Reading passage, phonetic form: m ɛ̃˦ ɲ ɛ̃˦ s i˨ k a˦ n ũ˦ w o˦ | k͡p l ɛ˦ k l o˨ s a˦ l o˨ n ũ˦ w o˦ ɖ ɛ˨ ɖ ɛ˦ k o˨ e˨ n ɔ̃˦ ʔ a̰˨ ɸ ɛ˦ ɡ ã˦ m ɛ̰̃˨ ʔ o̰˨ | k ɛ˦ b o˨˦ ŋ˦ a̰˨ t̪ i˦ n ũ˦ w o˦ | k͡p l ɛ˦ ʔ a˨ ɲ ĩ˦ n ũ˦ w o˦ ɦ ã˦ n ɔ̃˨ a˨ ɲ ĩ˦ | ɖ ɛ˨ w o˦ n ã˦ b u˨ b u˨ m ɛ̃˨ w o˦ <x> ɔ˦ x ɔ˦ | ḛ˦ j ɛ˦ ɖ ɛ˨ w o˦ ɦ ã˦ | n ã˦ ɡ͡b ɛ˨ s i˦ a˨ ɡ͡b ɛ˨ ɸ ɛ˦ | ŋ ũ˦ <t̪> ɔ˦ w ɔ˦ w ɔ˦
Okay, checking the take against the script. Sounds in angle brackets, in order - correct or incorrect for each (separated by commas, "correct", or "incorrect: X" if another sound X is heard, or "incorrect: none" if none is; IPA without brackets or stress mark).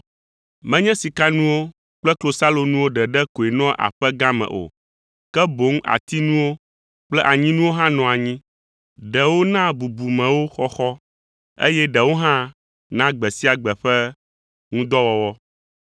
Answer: correct, incorrect: d̪